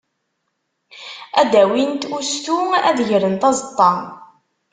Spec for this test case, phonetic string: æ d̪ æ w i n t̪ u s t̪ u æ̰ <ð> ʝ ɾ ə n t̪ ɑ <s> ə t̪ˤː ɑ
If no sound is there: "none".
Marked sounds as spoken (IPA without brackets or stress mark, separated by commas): ð, z